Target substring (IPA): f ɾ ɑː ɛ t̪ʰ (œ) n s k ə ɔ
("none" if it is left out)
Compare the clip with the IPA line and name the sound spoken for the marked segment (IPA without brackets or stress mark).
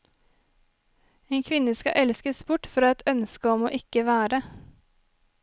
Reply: œ